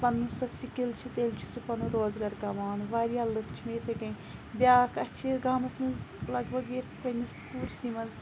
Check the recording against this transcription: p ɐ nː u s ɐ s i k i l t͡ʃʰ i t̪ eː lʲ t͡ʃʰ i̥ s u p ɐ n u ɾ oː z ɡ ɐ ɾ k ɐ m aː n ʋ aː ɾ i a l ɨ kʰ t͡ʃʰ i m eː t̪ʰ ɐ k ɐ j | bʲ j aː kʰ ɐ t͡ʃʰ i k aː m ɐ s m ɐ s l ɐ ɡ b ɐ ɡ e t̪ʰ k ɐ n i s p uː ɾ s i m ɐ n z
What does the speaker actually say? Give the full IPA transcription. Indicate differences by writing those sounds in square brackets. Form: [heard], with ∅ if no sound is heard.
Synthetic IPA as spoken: p ɐ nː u s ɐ s i k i l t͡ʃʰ i t̪ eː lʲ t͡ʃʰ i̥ s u p ɐ n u ɾ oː z ɡ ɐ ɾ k ɐ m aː n ʋ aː ɾ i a l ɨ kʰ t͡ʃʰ i m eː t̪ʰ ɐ k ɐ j | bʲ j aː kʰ ɐ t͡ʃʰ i [ɡ] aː m ɐ s m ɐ [z] l ɐ ɡ b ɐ ɡ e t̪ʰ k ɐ n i s p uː ɾ s i m ɐ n z